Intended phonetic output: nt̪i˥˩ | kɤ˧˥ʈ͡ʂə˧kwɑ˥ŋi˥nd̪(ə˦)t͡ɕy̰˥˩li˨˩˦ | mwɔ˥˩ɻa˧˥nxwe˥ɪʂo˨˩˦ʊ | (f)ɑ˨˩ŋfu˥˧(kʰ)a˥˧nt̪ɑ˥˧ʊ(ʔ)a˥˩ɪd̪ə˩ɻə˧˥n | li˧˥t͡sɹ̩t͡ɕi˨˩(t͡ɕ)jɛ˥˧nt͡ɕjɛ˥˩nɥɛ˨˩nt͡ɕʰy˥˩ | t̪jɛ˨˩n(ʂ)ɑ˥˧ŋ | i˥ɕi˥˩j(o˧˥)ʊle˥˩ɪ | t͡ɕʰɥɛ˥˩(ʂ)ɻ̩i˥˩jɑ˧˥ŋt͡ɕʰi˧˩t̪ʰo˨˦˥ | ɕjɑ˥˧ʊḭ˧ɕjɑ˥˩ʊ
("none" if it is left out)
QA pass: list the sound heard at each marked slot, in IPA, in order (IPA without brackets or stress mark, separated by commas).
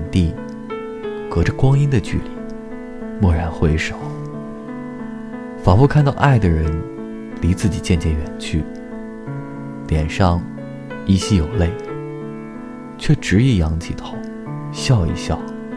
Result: ə˨, f, kʰ, ʔ, t͡ɕ, ʂ, o˨˩, ʈ͡ʂ